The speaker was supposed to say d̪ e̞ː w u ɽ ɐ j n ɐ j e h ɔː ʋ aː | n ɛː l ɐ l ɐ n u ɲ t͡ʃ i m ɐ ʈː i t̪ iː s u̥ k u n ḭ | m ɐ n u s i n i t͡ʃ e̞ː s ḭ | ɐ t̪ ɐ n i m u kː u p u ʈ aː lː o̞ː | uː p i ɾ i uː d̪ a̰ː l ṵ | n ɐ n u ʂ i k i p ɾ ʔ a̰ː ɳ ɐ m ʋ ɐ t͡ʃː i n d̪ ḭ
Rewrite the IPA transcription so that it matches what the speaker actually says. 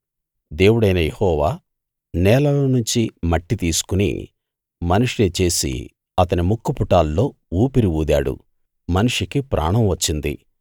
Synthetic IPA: d̪ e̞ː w u ɽ ɐ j n ɐ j e h ɔː ʋ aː | n ɛː l ɐ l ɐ n u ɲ t͡ʃ i m ɐ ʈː i t̪ iː s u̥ k u n ḭ | m ɐ n u ʂ i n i t͡ʃ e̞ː s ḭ | ɐ t̪ ɐ n i m u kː u p u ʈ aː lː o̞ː | uː p i ɾ i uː d̪ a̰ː ɽ ṵ | m ɐ n u ʂ i k i p ɾ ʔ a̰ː ɳ ɐ m ʋ ɐ t͡ʃː i n d̪ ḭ

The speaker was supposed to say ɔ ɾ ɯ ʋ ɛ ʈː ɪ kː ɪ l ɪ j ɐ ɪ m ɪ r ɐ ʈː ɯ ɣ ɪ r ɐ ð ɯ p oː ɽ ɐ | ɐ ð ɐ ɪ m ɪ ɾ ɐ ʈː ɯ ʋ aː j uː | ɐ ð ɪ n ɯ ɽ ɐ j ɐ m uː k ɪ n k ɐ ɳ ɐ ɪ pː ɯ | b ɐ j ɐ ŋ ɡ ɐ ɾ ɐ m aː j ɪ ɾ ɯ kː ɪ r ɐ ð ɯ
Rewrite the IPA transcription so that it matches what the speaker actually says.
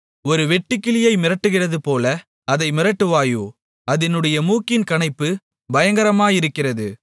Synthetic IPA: ɔ ɾ ɯ ʋ ɛ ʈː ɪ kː ɪ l ɪ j ɐ ɪ m ɪ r ɐ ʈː ɯ ɣ ɪ r ɐ ð ɯ p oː l ɐ | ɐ ð ɐ ɪ m ɪ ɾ ɐ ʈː ɯ ʋ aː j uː | ɐ ð ɪ n ɯ ɽ ɐ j ɐ m uː k ɪ n k ɐ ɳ ɐ ɪ pː ɯ | b ɐ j ɐ ŋ ɡ ɐ ɾ ɐ m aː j ɪ ɾ ɯ kː ɪ r ɐ ð ɯ

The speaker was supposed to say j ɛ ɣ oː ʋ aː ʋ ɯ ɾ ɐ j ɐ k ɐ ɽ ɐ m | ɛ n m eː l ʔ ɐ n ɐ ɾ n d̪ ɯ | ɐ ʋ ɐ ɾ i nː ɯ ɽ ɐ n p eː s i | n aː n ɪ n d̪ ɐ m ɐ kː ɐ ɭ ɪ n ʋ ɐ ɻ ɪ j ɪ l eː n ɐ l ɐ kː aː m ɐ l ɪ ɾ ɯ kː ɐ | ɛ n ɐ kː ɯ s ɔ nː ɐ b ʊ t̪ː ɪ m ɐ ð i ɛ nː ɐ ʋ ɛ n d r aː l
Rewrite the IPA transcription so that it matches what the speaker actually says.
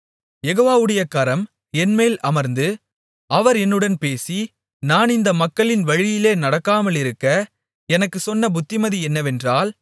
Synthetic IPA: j ɛ ɣ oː ʋ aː ʋ ɯ ɽ ɐ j ɐ k ɐ ɾ ɐ m | ɛ n m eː l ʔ ɐ m ɐ ɾ n d̪ ɯ | ɐ ʋ ɐ ɾ ɛ nː ɯ ɽ ɐ n p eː s i | n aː n ɪ n d̪ ɐ m ɐ kː ɐ ɭ ɪ n ʋ ɐ ɻ ɪ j ɪ l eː n ɐ ɽ ɐ kː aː m ɐ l ɪ ɾ ɯ kː ɐ | ɛ n ɐ kː ɯ s ɔ nː ɐ b ʊ t̪ː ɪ m ɐ ð i ɛ nː ɐ ʋ ɛ n d r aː l

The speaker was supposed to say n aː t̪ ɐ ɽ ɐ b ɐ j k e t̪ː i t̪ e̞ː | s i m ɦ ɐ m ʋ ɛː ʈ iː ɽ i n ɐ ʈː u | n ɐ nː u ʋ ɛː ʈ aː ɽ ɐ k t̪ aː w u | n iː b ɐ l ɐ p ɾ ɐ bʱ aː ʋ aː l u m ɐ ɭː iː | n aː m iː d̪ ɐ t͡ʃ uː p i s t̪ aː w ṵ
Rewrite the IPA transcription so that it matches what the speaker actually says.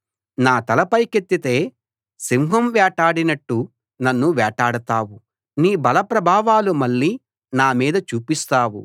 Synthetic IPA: n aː t̪ ɐ l ɐ p ɐ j k e t̪ː i t̪ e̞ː | s i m ɦ ɐ m ʋ ɛː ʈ aː ɽ i n ɐ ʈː u | n ɐ nː u ʋ ɛː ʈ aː ɽ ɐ t̪ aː w u | n iː b ɐ l ɐ p ɾ ɐ bʱ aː ʋ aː l u m ɐ ɭː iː | n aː m iː d̪ ɐ t͡ʃ uː p i s t̪ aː w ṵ

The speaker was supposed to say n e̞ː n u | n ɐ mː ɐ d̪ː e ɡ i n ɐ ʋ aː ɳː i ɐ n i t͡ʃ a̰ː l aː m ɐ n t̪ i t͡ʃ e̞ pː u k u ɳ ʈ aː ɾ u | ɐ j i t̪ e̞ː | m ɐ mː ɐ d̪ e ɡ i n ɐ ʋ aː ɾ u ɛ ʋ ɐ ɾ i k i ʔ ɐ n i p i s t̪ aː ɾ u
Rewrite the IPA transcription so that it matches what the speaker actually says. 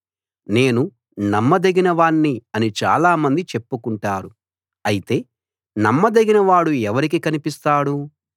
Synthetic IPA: n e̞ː n u | n ɐ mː ɐ d̪ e ɡ i n ɐ ʋ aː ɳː i ɐ n i t͡ʃ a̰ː l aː m ɐ n d̪ i t͡ʃ e̞ pː u k u ɳ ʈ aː ɾ u | ɐ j i t̪ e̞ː | n ɐ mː ɐ d̪ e ɡ i n ɐ ʋ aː ɽ u ɛ ʋ ɐ ɾ i k i k ɐ n i p i s t̪ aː ɽ u

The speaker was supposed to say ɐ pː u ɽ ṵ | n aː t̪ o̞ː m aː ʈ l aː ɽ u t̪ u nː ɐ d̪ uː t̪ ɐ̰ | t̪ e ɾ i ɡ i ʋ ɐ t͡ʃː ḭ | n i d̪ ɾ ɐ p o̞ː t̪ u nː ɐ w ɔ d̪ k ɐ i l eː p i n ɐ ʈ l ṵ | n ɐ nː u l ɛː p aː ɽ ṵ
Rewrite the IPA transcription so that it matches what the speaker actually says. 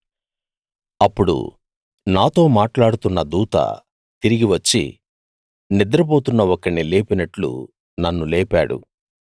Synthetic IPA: ɐ pː u ɽ ṵ | n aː t̪ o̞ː m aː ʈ l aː ɽ u t̪ u nː ɐ d̪ uː t̪ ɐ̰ | t̪ i ɾ i ɡ i ʋ ɐ t͡ʃː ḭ | n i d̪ ɾ ɐ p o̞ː t̪ u nː ɐ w ɔ k ɐ i l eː p i n ɐ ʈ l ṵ | n ɐ nː u l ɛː p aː ɽ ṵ

